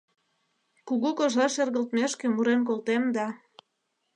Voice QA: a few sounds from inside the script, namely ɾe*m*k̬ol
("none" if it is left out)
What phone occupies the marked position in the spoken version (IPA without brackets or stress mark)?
n